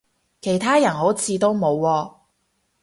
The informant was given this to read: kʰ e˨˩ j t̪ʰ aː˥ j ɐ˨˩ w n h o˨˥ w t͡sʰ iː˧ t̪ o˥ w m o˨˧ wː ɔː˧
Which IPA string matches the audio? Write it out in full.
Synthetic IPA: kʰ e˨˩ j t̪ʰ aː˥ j ɐ˨˩ n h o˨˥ w t͡sʰ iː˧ t̪ o˥ w m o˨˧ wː ɔː˧